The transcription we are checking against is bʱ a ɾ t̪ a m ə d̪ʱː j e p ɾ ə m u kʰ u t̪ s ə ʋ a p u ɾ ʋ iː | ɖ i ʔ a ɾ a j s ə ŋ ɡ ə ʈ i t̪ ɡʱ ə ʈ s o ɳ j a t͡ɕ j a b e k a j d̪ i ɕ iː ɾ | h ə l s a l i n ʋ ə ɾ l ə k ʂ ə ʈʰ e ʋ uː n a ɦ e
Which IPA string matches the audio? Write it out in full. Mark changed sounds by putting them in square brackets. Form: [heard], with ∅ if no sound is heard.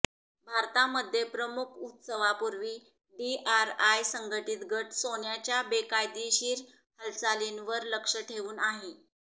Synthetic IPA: bʱ a ɾ t̪ a m ə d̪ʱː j e p ɾ ə m u kʰ u t̪ s ə ʋ a p u ɾ ʋ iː | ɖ i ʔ a ɾ a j s ə ŋ ɡ ə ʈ i t̪ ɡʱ ə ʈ s o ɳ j a t͡ɕ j a b e k a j d̪ i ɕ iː ɾ | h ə l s a l i n ʋ ə ɾ l ə k ʂ ə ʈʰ e ʋ uː n a ɦ e